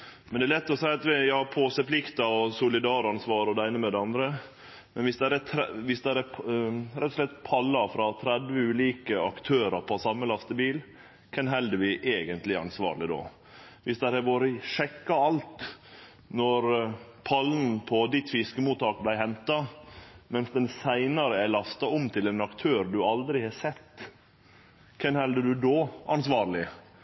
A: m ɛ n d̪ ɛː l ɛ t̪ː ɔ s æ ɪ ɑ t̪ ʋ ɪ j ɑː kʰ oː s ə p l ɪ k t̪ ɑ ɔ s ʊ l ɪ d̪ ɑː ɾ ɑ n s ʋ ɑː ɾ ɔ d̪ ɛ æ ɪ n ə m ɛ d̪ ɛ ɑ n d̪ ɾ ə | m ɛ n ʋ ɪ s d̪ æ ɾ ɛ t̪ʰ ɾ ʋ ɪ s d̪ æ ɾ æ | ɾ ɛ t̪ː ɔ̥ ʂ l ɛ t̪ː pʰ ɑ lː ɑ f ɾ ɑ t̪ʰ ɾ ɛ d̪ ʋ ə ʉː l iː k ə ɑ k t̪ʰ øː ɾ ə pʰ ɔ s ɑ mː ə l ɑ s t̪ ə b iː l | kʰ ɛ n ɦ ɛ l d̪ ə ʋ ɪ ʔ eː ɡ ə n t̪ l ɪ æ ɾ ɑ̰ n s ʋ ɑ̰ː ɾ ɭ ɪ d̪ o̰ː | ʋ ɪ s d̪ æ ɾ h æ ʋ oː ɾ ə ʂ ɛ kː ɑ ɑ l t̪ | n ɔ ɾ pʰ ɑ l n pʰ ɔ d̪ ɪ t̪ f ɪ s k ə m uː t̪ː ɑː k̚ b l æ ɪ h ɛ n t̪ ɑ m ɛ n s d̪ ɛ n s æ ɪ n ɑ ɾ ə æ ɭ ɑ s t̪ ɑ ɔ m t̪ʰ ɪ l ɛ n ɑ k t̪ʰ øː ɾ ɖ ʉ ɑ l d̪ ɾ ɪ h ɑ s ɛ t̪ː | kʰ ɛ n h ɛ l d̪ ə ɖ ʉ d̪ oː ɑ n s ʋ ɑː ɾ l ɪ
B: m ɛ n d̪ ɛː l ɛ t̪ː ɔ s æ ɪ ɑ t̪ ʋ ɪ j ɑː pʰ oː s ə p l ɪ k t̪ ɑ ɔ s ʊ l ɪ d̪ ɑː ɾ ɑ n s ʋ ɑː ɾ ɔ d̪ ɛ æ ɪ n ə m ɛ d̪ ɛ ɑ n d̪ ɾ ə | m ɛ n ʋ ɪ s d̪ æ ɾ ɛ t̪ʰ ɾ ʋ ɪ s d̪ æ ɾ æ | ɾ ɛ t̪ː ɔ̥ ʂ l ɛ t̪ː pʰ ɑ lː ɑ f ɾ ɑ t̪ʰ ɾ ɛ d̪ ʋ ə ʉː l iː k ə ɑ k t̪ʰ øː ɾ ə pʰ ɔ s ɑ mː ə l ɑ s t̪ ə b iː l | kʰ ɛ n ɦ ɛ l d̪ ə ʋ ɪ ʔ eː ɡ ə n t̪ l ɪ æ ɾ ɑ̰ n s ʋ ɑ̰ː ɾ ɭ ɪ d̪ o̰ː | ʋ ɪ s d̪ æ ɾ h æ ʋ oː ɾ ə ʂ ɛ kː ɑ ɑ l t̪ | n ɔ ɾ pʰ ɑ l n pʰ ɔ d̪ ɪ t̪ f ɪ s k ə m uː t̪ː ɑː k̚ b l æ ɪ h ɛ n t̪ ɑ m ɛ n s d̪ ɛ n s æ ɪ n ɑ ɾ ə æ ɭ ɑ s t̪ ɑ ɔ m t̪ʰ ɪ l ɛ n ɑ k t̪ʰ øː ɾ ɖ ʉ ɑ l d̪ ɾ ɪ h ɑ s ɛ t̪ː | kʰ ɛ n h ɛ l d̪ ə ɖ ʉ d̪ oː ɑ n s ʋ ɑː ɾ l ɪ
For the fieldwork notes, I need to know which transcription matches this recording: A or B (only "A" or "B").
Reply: B